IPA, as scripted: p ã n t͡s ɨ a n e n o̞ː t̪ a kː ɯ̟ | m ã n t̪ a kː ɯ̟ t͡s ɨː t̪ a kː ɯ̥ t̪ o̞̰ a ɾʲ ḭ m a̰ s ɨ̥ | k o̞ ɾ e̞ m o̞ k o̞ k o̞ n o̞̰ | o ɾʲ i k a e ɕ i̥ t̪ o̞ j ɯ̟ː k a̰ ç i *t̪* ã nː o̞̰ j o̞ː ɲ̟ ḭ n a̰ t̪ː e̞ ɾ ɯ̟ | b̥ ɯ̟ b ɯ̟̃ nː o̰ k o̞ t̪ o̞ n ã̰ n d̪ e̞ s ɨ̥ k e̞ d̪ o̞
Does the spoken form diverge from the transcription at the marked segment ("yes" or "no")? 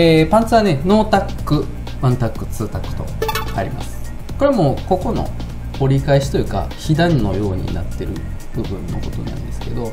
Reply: yes